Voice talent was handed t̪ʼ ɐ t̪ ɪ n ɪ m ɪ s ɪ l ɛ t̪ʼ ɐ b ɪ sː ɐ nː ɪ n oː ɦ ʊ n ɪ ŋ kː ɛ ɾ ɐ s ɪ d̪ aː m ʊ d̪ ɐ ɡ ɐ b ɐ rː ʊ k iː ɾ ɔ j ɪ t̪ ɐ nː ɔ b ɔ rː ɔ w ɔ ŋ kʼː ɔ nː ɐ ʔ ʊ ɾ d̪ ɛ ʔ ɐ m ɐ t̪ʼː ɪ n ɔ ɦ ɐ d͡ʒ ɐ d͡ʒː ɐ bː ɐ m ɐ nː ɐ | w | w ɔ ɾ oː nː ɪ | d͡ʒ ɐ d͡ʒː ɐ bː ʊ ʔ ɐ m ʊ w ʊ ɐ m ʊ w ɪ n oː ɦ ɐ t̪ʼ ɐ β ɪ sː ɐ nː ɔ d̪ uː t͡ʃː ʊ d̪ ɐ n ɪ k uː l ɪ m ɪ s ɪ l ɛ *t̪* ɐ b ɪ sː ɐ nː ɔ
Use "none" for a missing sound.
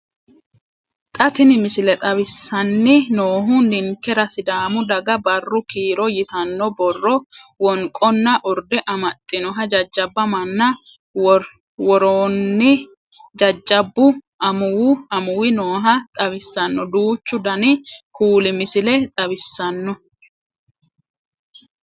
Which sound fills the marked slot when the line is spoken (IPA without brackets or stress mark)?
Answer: t̪ʼ